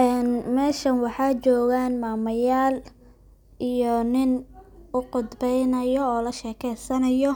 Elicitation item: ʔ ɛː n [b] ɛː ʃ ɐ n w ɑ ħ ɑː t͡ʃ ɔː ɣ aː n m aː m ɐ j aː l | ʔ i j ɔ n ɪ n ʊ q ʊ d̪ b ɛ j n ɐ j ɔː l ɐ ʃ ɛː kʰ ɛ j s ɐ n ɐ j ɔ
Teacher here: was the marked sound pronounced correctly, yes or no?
no